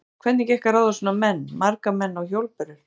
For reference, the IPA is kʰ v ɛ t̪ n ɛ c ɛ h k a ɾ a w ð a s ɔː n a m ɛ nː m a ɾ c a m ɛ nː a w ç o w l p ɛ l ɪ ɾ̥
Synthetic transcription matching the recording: kʰ v ɛ t̪ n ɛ c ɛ h k a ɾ a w ð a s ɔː n a m ɛ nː m a ɾ k a m ɛ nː a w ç o w l p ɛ ɾ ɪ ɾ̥